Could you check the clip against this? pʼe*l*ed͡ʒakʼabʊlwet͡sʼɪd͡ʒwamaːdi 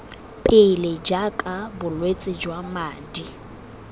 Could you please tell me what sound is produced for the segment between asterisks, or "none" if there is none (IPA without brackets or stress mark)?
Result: l